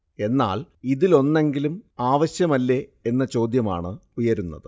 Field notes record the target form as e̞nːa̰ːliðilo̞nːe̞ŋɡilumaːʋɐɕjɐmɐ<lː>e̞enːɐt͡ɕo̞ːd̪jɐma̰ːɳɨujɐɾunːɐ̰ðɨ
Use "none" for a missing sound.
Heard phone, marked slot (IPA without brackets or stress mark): lː